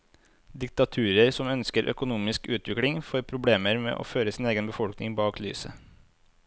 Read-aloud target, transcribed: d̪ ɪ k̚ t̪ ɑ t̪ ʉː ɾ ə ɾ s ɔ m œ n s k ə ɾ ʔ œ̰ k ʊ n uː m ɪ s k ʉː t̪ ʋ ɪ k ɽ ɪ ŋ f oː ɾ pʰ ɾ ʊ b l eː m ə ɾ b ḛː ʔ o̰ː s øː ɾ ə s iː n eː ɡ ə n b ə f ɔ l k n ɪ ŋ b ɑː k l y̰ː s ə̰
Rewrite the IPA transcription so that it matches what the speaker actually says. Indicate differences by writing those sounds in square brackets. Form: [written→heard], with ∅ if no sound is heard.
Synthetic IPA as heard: d̪ ɪ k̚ t̪ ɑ [t̪→t̪ʰ] ʉː ɾ ə ɾ s ɔ m œ n s k ə ɾ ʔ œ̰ k ʊ n uː m ɪ s k ʉː t̪ ʋ ɪ k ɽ ɪ ŋ f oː ɾ pʰ ɾ ʊ b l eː m ə ɾ [b→m] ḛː ʔ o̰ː [s→f] øː ɾ ə s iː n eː ɡ ə n b ə f ɔ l k n ɪ ŋ b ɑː k l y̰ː s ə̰